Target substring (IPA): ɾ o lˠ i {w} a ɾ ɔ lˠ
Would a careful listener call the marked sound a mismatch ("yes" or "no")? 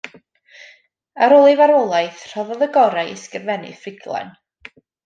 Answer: yes